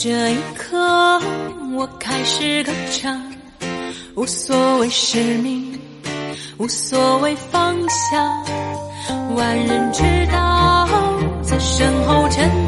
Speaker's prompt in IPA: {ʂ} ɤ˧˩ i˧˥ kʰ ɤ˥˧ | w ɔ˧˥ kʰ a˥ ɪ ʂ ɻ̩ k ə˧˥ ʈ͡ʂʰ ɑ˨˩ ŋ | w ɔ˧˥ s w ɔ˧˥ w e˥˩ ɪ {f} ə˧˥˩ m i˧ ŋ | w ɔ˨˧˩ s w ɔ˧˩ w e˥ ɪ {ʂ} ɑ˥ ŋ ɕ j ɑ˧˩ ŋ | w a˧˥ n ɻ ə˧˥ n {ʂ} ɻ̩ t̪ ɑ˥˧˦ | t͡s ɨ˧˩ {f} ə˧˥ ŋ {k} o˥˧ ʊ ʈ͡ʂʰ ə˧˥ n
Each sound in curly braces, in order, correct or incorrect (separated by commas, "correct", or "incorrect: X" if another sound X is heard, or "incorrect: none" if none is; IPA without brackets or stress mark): incorrect: ʈ͡ʂ, incorrect: ʂ, incorrect: f, incorrect: ʈ͡ʂ, incorrect: ʂ, incorrect: x